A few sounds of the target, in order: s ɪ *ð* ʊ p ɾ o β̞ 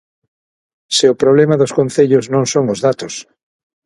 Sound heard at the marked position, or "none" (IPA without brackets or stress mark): none